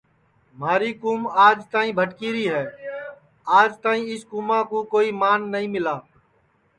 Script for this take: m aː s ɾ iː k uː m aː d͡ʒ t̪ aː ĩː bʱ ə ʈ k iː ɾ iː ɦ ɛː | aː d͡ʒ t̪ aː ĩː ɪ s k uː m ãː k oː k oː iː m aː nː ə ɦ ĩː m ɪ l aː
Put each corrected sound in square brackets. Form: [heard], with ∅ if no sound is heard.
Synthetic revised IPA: m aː [∅] ɾ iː k uː m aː d͡ʒ t̪ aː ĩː bʱ ə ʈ k iː ɾ iː ɦ ɛː | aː d͡ʒ t̪ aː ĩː ɪ s k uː m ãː k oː k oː iː m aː nː ə ɦ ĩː m ɪ l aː